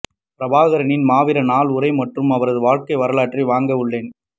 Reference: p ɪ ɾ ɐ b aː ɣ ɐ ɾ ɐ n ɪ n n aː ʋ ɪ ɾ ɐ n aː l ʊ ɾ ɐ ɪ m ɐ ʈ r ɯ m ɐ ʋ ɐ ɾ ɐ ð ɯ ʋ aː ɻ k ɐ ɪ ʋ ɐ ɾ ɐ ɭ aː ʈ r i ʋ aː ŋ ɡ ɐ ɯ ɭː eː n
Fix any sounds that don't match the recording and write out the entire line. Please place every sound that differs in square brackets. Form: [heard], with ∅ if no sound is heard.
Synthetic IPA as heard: p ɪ ɾ ɐ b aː ɣ ɐ ɾ ɐ n ɪ n [m] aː ʋ ɪ ɾ ɐ n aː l ʊ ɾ ɐ ɪ m ɐ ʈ r ɯ m ɐ ʋ ɐ ɾ ɐ ð ɯ ʋ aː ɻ k ɐ ɪ ʋ ɐ ɾ ɐ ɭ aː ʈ r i ʋ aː ŋ ɡ ɐ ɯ ɭː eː n